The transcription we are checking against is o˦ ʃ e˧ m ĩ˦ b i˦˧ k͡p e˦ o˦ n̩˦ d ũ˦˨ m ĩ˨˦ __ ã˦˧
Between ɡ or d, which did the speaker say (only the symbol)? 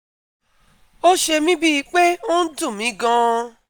ɡ